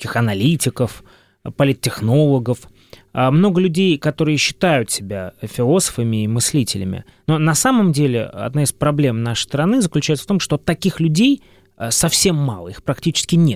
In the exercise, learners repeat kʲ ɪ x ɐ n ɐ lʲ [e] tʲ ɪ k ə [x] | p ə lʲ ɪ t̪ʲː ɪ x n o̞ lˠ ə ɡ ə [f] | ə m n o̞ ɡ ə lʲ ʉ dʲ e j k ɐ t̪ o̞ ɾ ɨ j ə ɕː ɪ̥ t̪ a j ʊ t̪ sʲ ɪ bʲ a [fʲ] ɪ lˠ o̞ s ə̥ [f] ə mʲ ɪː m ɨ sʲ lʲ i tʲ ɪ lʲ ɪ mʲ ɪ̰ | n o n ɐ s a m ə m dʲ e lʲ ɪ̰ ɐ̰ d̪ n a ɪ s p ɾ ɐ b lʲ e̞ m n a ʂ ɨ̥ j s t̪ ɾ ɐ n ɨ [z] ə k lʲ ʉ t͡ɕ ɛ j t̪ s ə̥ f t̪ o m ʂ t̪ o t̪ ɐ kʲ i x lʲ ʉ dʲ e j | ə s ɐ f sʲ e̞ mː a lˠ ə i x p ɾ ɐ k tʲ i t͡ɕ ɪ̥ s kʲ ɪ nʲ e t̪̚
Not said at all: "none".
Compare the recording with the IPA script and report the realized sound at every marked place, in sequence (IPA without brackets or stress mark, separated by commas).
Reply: i, f, f, fʲ, f, z